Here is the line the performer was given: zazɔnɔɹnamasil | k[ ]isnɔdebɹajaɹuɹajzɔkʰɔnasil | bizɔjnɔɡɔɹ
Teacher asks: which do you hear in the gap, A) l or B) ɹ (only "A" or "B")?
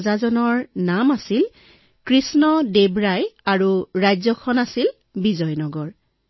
B